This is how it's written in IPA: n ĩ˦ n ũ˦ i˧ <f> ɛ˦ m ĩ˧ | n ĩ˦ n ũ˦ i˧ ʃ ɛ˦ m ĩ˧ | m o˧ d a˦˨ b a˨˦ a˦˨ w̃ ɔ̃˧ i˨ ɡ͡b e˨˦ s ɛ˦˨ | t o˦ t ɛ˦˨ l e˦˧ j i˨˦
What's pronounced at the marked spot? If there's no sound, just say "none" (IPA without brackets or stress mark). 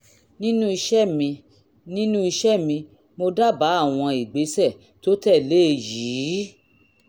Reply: ʃ